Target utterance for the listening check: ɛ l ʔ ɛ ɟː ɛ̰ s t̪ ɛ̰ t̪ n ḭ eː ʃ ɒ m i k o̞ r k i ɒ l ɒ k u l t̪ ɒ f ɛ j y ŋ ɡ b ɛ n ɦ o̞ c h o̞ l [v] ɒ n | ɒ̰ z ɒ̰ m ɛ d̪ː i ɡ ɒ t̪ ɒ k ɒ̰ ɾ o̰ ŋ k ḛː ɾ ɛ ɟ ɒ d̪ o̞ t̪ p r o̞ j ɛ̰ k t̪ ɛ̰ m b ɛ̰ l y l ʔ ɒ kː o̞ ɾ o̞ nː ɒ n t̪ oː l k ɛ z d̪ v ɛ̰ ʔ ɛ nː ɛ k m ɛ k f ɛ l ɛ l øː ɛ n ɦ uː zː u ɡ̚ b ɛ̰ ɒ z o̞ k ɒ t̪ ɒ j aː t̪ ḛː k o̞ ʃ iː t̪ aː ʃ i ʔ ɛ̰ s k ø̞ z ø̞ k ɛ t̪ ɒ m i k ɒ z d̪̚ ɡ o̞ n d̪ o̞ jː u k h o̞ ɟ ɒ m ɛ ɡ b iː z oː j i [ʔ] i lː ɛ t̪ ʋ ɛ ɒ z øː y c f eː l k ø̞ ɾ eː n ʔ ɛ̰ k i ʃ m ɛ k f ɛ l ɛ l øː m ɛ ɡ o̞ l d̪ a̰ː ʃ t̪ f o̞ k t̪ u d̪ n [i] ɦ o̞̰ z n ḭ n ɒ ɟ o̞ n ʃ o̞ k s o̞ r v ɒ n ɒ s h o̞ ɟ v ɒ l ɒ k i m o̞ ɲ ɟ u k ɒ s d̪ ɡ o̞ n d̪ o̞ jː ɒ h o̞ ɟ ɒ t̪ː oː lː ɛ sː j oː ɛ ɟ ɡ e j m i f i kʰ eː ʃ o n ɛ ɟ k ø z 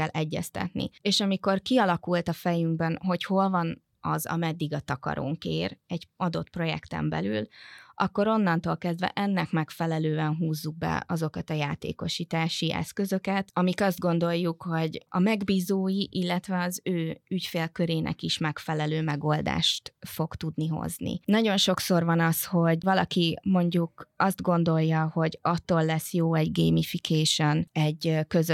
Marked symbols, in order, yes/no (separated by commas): yes, yes, yes